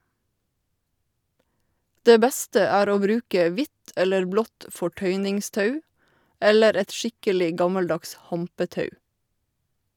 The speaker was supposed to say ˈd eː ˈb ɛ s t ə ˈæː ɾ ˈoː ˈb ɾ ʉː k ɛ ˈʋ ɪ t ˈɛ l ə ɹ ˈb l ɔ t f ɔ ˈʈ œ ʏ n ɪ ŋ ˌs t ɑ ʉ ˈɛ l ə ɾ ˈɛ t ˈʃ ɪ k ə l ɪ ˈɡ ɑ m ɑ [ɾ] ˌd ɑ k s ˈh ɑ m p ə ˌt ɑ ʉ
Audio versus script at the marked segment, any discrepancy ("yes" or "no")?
yes